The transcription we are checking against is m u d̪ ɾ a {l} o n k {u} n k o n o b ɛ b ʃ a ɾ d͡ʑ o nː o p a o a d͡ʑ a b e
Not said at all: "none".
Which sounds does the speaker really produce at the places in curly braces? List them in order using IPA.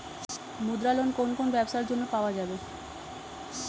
l, o

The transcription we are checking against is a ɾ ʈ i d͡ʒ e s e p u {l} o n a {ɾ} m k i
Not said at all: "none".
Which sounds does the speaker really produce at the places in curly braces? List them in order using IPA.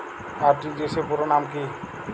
ɾ, none

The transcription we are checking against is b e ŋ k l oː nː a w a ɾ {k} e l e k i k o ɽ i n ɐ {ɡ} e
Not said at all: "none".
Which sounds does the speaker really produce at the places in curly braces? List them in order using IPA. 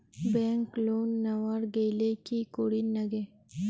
ɡ, ɡ

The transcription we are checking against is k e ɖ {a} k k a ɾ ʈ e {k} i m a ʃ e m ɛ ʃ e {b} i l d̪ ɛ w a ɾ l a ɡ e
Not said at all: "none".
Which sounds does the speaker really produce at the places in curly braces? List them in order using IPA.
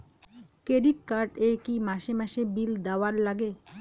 i, k, b

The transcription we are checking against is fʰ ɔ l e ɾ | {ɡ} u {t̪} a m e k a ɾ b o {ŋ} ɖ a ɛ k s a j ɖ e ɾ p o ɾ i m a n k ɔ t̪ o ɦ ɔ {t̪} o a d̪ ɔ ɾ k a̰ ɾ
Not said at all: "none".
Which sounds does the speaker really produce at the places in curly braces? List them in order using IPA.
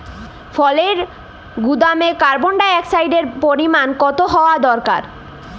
ɡ, d̪, ɳ, none

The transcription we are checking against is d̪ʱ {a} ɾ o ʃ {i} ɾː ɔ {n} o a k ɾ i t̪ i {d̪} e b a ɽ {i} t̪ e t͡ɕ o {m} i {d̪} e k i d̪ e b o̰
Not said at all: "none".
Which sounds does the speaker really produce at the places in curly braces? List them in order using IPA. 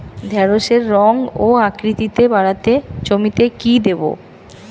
ɛ, e, ŋ, t̪, a, m, t̪

